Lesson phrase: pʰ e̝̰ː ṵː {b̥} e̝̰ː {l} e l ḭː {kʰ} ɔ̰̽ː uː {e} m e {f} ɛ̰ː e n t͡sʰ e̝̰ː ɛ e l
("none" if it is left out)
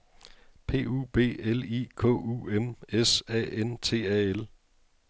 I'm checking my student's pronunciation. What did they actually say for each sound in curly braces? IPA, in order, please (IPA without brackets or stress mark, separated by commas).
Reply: b̥, none, kʰ, e, s